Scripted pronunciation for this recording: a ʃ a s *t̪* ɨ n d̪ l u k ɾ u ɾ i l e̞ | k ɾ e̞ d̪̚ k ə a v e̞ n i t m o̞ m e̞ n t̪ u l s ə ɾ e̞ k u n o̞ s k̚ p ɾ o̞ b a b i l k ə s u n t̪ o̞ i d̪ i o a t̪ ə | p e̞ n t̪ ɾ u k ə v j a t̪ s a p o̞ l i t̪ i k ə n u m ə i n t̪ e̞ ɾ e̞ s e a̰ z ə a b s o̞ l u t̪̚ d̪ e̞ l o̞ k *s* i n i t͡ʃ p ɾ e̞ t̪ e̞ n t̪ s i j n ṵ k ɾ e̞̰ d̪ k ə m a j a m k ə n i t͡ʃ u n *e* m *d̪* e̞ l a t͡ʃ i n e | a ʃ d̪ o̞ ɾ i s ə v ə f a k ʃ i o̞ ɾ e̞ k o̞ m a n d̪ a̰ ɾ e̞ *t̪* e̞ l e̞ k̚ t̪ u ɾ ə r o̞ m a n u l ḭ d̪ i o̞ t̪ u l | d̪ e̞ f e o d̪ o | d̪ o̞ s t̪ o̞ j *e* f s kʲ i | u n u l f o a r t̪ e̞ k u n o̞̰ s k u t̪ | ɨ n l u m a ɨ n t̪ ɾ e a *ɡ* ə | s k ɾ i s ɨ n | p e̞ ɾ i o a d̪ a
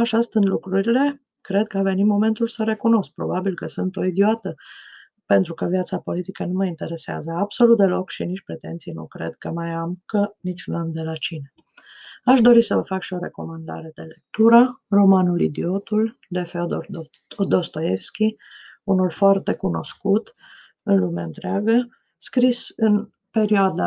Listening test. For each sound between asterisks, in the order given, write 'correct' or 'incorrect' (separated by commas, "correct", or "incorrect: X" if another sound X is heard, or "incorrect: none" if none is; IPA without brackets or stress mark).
correct, incorrect: ʃ, incorrect: a, correct, incorrect: d̪, correct, correct